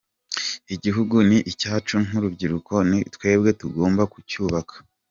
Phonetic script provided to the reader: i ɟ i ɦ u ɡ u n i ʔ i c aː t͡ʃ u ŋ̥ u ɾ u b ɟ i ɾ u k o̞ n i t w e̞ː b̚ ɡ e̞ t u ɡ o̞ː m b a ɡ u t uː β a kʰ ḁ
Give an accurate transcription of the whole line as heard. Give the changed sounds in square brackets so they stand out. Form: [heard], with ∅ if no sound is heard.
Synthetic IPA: i ɟ i ɦ u ɡ u n i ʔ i c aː t͡ʃ u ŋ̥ u ɾ u b ɟ i ɾ u k o̞ n i t w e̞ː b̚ ɡ e̞ t u ɡ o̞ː m b a [k] u [c] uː β a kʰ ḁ